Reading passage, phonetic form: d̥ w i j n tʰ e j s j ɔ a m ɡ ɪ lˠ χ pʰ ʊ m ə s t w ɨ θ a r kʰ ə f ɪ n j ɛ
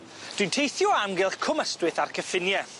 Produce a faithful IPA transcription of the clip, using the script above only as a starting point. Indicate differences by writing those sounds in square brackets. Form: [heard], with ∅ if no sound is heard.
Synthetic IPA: d̥ w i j n tʰ e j [θ] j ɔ a m ɡ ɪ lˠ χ [kʰ] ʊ m ə s t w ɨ θ a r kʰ ə f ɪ n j ɛ